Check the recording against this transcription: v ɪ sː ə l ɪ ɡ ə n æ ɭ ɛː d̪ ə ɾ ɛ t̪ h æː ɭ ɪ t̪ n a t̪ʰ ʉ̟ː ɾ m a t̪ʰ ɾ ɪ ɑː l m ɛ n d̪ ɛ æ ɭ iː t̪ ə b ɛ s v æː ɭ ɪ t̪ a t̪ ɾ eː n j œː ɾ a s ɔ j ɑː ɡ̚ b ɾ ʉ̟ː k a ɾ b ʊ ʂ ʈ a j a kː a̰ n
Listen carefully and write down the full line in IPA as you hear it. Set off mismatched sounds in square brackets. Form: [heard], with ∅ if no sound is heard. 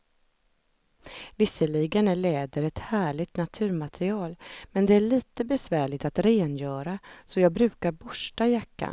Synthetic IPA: v ɪ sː ə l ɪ ɡ ə n æ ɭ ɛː d̪ ə ɾ ɛ t̪ h æː ɭ ɪ t̪ n a t̪ʰ ʉ̟ː ɾ m a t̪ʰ ɾ ɪ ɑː l m ɛ n d̪ ɛ æ ɭ iː t̪ ə b ɛ s v æː ɭ ɪ t̪ a t̪ ɾ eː n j œː ɾ a s ɔ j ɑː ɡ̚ b ɾ ʉ̟ː k a ɾ b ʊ ʂ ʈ a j a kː a̰ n